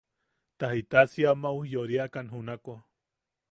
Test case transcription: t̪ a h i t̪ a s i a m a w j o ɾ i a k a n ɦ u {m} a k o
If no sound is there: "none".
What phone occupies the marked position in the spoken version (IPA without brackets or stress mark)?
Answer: n